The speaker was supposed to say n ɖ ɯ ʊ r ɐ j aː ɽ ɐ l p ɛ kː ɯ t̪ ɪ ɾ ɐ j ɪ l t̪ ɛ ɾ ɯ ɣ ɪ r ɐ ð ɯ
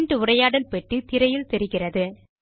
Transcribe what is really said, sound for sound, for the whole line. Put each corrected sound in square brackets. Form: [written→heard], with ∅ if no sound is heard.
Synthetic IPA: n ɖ ɯ ʊ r ɐ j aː ɽ ɐ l p ɛ [kː→ʈː] ɯ t̪ ɪ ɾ ɐ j ɪ l t̪ ɛ ɾ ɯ ɣ ɪ r ɐ ð ɯ